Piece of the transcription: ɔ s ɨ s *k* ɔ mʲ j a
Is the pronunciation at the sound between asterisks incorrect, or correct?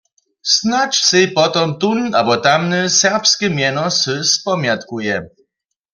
incorrect